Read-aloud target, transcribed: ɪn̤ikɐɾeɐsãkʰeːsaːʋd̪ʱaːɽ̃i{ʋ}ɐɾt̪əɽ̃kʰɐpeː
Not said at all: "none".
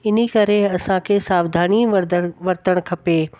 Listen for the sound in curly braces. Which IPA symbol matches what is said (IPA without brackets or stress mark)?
ʋ